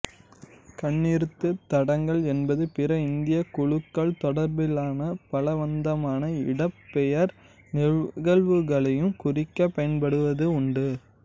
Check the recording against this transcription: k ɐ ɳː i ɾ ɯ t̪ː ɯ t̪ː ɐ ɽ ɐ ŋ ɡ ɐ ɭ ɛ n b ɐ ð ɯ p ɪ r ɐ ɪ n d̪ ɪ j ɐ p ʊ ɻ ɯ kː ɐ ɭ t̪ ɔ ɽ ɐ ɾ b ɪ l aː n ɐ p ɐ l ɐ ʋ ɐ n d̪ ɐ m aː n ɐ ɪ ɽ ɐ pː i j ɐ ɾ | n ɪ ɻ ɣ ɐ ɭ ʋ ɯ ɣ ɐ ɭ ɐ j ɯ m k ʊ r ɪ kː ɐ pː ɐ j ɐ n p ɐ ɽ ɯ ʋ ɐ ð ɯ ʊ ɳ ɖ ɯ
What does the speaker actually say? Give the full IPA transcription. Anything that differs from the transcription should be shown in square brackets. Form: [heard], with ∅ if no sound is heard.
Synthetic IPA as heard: k ɐ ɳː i ɾ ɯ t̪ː ɯ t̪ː ɐ ɽ ɐ ŋ ɡ ɐ ɭ ɛ n b ɐ ð ɯ p ɪ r ɐ ɪ n d̪ ɪ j ɐ [k] ʊ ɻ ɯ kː ɐ ɭ t̪ ɔ ɽ ɐ ɾ b ɪ l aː n ɐ p ɐ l ɐ ʋ ɐ n d̪ ɐ m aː n ɐ ɪ ɽ ɐ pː [ɛ] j ɐ ɾ | n ɪ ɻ ɣ ɐ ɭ ʋ ɯ ɣ ɐ ɭ ɐ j ɯ m k ʊ r ɪ kː ɐ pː ɐ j ɐ n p ɐ ɽ ɯ ʋ ɐ ð ɯ ʊ ɳ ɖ ɯ